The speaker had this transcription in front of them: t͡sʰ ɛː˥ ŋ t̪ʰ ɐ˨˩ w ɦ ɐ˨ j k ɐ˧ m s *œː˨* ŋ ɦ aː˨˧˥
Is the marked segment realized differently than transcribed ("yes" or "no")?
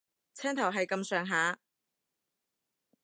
no